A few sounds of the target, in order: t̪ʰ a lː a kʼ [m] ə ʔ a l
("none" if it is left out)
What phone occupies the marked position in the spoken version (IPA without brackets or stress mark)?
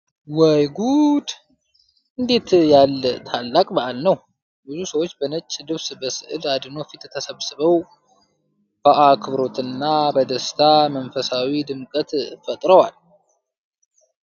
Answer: b